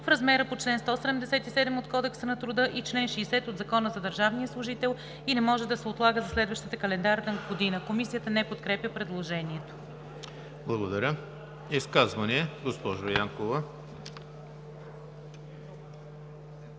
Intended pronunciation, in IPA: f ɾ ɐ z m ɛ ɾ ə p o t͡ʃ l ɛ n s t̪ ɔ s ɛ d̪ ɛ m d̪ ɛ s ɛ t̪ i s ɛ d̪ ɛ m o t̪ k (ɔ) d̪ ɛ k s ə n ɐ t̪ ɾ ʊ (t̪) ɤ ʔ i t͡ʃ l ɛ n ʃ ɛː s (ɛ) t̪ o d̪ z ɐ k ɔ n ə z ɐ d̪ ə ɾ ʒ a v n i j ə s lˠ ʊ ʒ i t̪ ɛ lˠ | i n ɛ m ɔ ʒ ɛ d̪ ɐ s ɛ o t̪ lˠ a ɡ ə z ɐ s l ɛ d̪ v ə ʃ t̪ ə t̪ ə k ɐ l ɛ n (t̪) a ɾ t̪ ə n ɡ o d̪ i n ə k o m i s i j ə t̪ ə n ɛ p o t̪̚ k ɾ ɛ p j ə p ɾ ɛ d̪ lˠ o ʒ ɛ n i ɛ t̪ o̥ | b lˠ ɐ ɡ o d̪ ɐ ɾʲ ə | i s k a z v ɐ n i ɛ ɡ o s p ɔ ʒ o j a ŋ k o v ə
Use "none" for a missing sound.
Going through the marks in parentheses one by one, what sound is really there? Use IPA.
ɔ, d̪, ɛ, d̪

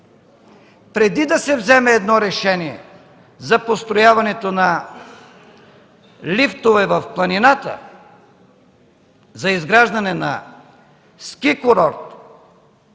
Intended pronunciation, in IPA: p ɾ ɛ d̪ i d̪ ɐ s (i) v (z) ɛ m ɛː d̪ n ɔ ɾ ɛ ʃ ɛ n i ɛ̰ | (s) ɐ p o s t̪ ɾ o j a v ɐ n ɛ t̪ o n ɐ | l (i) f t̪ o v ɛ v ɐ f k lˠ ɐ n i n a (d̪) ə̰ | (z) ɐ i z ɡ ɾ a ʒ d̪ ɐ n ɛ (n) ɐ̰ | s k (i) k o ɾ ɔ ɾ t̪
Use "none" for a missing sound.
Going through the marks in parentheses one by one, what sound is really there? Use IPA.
ɛ, z, z, i, t̪, z, n, i

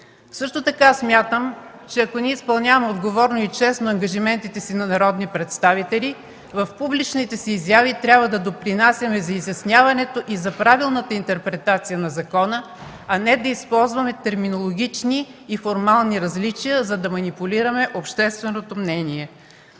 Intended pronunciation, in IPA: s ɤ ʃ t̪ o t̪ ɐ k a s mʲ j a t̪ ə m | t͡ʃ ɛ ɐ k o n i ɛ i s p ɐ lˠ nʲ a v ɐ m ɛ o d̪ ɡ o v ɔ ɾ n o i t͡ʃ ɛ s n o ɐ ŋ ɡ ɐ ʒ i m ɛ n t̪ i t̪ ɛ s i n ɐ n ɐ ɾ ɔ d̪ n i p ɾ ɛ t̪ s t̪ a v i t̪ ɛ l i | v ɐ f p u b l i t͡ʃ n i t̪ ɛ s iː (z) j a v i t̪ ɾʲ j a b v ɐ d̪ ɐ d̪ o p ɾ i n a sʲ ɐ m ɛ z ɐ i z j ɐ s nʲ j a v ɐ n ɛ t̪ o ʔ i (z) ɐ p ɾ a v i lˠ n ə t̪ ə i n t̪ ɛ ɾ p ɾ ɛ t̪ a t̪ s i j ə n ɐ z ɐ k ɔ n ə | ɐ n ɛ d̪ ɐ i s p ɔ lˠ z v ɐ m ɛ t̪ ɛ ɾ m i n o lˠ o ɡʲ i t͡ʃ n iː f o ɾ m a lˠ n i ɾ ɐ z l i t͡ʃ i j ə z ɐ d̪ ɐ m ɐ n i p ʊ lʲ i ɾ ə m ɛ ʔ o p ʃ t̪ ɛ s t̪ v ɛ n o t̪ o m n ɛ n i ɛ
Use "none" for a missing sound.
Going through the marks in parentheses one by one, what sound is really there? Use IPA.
z, z

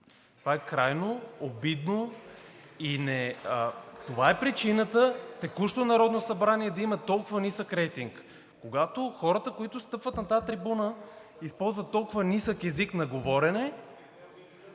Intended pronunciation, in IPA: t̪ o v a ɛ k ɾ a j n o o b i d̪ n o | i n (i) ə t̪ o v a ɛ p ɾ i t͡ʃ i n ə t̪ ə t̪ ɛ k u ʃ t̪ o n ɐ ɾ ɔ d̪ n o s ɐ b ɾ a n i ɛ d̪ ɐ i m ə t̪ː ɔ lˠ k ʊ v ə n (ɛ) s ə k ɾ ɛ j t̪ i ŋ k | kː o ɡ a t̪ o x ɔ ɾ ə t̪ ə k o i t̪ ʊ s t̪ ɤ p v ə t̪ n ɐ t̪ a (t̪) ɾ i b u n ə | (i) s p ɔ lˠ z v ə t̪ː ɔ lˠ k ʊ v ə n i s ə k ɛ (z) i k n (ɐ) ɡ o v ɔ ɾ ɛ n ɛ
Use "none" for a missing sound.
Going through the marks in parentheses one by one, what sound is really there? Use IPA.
ɛ, i, t̪, i, z, ɐ

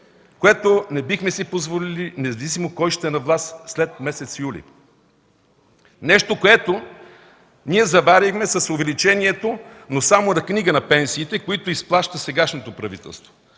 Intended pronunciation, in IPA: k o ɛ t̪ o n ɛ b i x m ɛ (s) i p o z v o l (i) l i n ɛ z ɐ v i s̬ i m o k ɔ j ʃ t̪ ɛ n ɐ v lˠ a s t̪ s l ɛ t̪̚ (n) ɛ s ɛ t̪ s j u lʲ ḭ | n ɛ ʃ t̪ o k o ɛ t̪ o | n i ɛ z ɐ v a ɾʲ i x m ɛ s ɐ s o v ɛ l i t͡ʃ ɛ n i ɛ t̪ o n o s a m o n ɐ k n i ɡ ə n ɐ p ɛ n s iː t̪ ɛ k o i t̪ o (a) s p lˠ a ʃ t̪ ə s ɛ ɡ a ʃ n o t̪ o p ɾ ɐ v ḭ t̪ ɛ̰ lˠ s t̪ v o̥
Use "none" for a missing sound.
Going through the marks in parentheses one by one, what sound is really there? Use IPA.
s, i, m, i

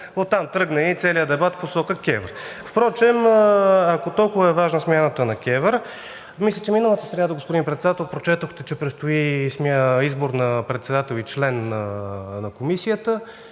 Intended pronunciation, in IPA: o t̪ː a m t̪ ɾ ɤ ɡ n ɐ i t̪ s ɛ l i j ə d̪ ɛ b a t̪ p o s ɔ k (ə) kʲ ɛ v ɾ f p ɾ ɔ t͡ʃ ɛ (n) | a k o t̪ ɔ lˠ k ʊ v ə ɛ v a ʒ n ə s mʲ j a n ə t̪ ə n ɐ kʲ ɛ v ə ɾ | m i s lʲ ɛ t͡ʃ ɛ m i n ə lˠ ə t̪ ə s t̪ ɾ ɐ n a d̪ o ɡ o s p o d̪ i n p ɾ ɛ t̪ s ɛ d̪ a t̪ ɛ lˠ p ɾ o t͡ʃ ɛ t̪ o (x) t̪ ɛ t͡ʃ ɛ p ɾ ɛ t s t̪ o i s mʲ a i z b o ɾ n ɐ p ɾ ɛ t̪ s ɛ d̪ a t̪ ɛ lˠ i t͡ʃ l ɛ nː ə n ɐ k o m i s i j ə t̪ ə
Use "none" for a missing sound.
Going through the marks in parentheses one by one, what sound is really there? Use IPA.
ə, m, x

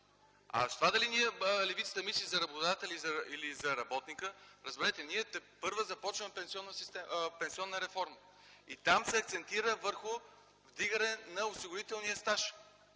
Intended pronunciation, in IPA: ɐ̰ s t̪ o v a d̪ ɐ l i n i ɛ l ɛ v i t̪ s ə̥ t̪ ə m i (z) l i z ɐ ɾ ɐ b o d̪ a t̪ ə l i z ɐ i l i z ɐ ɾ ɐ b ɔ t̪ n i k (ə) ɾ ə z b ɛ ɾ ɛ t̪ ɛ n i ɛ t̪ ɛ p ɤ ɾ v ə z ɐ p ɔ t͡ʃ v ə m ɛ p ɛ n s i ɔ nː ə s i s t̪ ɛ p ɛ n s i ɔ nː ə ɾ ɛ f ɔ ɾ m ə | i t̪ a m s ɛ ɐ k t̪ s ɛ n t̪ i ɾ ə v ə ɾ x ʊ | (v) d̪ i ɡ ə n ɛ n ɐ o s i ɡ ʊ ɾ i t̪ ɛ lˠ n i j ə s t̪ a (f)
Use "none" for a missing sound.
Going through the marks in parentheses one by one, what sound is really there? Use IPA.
s, ə, v, ʃ

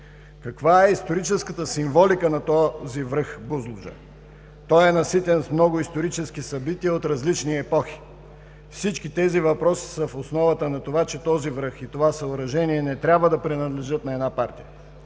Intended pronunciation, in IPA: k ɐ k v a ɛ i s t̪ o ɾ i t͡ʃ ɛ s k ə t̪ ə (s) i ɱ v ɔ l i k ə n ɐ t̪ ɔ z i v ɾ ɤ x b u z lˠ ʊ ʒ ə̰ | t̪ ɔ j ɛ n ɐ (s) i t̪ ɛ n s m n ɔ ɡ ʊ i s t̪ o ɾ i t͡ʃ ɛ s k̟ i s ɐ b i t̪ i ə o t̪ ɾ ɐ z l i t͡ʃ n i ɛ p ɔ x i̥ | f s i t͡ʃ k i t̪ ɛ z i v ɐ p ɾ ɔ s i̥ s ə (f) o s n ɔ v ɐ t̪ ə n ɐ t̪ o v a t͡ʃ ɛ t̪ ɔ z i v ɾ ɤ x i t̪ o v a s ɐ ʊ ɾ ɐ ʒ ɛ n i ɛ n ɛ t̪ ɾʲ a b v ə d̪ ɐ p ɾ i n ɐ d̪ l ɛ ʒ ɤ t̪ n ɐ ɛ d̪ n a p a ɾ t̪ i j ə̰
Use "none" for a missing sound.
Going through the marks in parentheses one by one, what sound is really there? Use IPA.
s, s, f

